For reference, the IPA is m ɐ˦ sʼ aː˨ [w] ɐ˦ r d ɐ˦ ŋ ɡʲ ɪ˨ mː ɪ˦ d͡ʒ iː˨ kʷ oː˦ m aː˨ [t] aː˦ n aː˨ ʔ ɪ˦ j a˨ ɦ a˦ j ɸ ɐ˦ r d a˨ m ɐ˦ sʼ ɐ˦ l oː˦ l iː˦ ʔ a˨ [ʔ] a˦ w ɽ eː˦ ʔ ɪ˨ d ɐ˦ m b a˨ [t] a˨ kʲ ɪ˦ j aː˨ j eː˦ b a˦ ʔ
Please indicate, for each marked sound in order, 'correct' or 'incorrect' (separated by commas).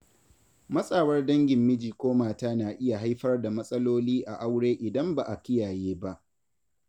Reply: correct, correct, correct, incorrect